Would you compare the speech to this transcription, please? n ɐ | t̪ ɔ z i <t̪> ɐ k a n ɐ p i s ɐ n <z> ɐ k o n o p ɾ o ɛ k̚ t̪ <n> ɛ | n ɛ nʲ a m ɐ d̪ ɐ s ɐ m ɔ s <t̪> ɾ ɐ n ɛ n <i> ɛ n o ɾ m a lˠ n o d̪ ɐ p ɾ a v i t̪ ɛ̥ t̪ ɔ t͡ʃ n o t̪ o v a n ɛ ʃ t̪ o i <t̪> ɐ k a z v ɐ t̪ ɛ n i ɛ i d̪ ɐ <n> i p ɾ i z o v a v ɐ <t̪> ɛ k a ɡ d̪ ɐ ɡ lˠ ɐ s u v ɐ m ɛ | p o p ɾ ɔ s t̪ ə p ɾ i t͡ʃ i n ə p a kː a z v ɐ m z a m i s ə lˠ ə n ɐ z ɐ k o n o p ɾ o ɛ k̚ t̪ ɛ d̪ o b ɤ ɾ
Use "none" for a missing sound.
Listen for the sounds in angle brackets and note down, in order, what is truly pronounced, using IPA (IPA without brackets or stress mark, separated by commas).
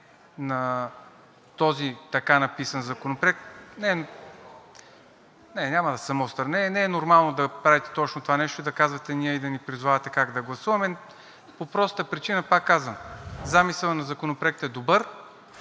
t̪, z, n, t̪, ɛ, d̪, n, t̪